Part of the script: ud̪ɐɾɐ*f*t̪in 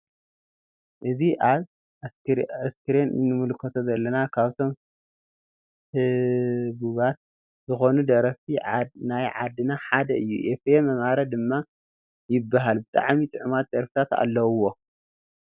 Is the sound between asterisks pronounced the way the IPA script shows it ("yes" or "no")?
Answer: yes